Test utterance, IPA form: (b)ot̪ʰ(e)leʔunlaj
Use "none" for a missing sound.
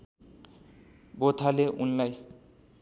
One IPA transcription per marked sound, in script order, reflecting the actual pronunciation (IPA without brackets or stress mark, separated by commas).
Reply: b, a